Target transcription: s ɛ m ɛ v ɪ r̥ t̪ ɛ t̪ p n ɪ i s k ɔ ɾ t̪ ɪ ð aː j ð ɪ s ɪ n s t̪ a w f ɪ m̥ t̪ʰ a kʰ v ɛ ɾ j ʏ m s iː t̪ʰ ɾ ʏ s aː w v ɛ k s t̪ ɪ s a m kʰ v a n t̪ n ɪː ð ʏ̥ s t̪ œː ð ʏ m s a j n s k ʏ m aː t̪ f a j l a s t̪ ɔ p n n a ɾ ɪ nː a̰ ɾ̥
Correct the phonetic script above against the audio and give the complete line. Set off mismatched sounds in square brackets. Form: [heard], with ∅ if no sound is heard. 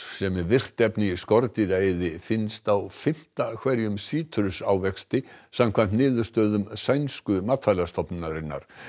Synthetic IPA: s ɛ m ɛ v ɪ r̥ t̪ ɛ [∅] p n ɪ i s k ɔ ɾ t̪ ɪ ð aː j ð ɪ [f] ɪ n s t̪ a w f ɪ m̥ [t̪] a kʰ v ɛ ɾ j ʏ m s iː t̪ʰ ɾ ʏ s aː w v ɛ k s t̪ ɪ s a m kʰ v a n t̪ n ɪː ð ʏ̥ s t̪ œː ð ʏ m s a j n s k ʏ m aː t̪ f a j l a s t̪ ɔ p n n a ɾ ɪ nː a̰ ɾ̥